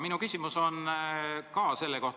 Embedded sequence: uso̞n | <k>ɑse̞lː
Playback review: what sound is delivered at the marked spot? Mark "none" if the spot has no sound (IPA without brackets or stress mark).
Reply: k